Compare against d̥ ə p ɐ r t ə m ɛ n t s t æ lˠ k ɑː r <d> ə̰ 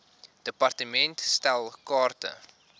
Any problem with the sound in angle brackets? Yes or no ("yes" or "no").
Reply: yes